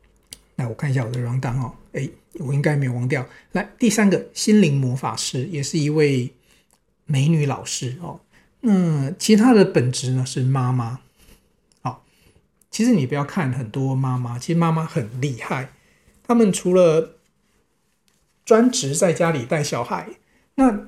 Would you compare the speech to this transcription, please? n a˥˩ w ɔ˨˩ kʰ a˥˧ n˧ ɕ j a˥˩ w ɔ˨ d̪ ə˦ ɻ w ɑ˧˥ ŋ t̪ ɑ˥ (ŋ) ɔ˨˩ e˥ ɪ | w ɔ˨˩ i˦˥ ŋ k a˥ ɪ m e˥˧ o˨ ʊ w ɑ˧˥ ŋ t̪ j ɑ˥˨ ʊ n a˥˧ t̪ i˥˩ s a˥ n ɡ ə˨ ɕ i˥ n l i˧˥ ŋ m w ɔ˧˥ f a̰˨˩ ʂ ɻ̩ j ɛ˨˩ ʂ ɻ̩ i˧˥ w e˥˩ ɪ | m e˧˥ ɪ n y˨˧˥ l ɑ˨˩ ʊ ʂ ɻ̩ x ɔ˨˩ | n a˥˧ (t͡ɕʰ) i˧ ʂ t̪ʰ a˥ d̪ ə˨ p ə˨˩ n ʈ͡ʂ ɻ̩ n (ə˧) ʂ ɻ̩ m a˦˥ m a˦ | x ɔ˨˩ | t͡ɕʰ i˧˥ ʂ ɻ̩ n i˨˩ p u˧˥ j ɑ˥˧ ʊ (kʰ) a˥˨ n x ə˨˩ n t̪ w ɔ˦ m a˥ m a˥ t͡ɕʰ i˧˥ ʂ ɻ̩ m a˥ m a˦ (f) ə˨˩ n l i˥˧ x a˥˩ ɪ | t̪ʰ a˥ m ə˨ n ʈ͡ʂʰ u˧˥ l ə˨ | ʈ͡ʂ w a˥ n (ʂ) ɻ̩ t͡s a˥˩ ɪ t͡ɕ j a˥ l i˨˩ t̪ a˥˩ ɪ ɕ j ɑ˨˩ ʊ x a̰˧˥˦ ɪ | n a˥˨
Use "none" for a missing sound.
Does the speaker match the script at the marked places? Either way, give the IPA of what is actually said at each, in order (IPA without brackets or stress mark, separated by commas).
ŋ, t͡ɕʰ, ə˧, kʰ, x, ʈ͡ʂ